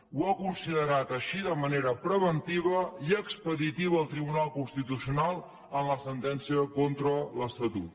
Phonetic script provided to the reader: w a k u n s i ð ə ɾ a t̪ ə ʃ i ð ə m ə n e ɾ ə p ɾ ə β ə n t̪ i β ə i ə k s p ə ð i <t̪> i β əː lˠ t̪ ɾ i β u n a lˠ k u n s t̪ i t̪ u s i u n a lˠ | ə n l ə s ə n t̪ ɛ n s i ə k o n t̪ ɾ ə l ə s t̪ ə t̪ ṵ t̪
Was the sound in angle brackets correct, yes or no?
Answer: yes